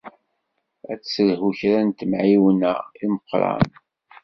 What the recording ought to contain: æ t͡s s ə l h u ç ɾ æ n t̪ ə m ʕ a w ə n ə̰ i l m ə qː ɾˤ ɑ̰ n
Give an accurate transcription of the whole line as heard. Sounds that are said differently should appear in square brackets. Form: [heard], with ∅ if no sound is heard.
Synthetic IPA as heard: æ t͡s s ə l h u ç ɾ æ n t̪ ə m ʕ [i] w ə n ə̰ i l m ə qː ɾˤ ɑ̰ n